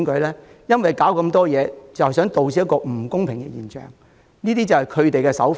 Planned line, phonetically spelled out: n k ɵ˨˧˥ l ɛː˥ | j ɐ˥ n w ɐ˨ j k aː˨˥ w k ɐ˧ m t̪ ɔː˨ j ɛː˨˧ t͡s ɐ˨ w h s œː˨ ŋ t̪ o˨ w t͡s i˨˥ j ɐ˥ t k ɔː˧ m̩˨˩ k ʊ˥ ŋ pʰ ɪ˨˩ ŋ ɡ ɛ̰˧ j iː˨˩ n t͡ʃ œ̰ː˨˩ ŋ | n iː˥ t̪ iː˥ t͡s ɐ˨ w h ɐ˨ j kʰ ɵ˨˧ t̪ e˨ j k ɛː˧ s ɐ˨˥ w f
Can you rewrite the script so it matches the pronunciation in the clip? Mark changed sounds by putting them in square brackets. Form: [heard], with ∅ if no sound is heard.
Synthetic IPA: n k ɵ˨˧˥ l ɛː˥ | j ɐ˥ n w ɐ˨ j k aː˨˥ w k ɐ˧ m t̪ [ɔː˥] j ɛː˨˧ t͡s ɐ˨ w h s [œː˨˥] ŋ t̪ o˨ w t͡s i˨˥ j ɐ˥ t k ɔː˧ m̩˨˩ k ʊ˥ ŋ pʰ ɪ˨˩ ŋ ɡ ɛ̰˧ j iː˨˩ n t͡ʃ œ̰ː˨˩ ŋ | n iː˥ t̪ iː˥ t͡s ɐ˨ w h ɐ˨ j kʰ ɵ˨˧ t̪ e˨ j k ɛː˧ s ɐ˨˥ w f